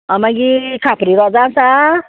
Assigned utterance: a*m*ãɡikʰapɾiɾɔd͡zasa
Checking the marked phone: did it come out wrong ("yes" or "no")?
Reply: no